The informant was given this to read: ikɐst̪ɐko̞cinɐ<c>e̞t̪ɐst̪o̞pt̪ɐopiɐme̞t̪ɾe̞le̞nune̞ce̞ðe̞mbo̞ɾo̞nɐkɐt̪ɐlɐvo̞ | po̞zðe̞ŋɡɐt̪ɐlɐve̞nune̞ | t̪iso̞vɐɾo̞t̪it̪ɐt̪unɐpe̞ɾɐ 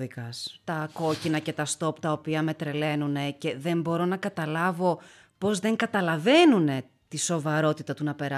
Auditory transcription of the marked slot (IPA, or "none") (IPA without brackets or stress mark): c